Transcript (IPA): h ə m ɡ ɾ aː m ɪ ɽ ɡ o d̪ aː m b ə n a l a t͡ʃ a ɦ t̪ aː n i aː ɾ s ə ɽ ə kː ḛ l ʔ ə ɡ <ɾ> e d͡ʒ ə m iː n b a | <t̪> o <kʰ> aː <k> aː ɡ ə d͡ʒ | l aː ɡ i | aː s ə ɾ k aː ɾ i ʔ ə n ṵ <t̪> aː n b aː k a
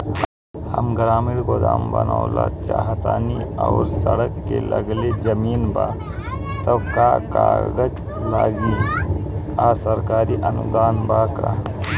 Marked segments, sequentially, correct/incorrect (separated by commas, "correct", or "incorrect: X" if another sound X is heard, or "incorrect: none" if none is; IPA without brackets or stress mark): incorrect: l, correct, incorrect: k, correct, incorrect: d̪